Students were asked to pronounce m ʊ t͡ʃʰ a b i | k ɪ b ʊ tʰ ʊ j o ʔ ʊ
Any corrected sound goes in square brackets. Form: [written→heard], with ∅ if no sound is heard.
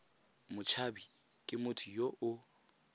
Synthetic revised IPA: m ʊ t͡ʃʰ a b i | [k→kʼ] ɪ [b→m] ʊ tʰ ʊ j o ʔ ʊ